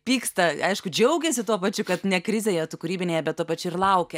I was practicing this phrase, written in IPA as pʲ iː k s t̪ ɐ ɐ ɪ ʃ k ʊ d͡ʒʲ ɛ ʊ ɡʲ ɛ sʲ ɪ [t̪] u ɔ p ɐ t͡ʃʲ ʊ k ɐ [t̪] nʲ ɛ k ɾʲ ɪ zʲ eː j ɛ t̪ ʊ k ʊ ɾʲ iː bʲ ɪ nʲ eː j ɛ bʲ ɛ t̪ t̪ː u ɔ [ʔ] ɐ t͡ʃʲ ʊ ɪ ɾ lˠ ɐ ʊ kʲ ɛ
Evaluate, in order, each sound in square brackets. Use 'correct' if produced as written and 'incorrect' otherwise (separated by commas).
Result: correct, correct, incorrect